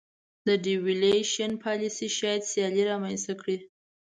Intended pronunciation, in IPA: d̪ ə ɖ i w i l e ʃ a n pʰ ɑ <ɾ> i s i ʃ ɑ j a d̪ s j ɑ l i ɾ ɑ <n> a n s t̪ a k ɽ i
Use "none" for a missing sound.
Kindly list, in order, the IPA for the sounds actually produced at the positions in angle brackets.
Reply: l, m

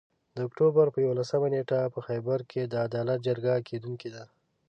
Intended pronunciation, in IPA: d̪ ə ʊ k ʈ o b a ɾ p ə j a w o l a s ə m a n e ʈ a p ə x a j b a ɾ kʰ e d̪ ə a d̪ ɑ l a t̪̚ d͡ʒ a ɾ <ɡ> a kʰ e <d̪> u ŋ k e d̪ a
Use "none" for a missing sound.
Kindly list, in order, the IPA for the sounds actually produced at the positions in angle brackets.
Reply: ɡ, d̪

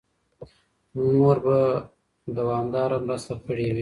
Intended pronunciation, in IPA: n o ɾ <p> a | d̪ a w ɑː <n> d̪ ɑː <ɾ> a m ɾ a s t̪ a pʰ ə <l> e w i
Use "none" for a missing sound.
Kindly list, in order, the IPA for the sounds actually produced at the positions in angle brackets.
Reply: b, m, ɾ, ɽ

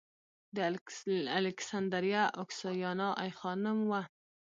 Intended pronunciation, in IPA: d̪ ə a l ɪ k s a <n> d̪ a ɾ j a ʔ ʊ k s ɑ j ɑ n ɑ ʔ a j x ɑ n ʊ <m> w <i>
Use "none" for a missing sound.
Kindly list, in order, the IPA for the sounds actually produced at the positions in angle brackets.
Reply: n, m, a

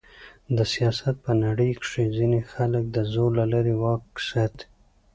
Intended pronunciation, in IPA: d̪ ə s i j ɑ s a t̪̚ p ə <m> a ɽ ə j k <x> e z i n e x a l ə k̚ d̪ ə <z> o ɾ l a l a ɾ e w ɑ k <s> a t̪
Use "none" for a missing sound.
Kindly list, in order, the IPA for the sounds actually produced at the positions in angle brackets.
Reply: n, ʂ, z, s

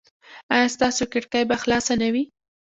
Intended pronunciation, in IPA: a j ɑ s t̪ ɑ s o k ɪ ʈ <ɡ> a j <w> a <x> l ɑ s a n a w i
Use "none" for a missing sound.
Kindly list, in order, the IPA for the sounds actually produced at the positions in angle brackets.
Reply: k, b, x

